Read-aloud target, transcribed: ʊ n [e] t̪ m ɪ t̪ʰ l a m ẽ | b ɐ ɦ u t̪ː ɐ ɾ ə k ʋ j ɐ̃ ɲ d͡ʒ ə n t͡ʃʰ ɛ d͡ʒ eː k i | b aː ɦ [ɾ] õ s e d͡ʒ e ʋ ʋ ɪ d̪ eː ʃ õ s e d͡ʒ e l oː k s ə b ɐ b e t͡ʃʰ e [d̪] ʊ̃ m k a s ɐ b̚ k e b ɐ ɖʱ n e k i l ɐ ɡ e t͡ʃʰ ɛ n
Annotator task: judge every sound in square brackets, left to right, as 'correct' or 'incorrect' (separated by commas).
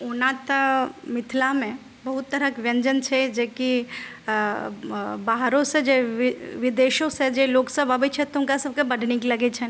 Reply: incorrect, correct, incorrect